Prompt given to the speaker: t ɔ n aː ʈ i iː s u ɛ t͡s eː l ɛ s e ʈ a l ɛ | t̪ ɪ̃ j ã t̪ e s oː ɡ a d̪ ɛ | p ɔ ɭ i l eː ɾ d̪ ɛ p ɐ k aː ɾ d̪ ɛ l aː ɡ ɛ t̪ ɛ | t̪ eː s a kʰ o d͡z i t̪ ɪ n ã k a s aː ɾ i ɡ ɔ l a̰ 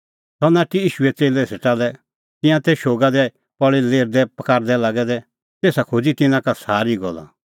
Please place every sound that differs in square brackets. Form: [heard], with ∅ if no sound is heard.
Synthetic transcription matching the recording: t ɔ n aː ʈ i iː [ʃ] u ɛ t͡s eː l ɛ s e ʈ a l ɛ | t̪ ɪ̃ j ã t̪ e [ʃ] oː ɡ a d̪ ɛ | p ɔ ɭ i l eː ɾ d̪ ɛ p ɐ k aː ɾ d̪ ɛ l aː ɡ ɛ [d̪] ɛ | t̪ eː s a kʰ o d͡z i t̪ ɪ n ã k a s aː ɾ i ɡ ɔ l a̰